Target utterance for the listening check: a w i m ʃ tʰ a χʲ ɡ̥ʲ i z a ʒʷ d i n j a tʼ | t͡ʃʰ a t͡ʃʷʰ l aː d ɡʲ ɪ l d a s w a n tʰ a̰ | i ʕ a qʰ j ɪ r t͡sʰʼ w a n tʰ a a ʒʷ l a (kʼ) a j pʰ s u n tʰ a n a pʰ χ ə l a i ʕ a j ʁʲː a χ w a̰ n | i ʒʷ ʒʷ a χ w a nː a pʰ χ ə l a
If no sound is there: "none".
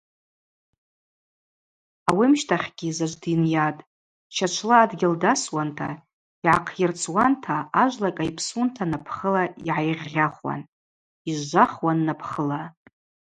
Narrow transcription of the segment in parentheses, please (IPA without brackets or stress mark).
kʼ